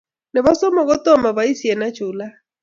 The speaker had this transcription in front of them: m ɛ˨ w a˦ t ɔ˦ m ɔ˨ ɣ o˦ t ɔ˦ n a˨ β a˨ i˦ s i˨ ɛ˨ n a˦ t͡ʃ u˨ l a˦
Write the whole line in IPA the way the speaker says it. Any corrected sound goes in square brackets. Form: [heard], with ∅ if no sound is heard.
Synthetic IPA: [n] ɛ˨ [β] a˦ [s] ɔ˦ m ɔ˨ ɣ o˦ t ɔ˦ [m] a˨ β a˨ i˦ s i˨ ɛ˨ n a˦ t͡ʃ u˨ l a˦